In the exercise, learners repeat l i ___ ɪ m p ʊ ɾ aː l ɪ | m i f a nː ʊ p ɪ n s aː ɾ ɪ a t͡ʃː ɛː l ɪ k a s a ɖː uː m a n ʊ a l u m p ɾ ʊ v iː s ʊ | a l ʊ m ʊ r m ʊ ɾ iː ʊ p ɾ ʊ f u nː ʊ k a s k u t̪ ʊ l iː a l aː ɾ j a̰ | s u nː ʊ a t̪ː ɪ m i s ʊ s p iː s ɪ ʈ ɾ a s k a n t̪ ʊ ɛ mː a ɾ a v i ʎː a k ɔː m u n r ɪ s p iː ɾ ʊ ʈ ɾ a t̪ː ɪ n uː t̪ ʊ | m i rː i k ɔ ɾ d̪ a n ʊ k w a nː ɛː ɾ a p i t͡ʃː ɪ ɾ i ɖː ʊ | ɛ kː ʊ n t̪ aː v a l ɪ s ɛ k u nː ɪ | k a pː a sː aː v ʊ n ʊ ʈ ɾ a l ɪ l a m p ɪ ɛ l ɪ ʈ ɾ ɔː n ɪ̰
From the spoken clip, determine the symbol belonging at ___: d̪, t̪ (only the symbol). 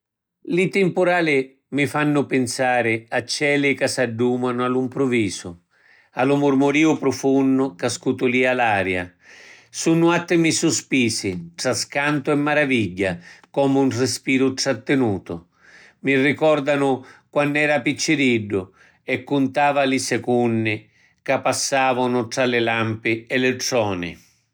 t̪